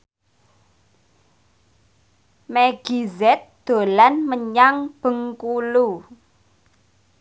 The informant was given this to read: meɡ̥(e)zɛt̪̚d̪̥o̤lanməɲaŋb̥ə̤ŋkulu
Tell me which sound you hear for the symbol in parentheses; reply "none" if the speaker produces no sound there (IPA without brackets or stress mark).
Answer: i